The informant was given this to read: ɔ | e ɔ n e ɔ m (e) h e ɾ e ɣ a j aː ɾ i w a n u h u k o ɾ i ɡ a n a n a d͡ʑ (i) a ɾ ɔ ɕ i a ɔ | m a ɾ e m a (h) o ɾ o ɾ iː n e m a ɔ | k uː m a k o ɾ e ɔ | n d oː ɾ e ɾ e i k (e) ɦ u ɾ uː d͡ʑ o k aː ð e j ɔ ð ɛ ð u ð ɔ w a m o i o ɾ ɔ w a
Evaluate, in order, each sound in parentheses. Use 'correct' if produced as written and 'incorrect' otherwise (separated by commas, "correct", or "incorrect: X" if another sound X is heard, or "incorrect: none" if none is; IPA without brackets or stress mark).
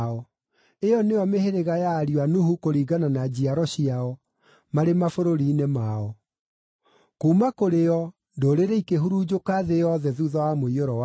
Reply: correct, correct, incorrect: f, correct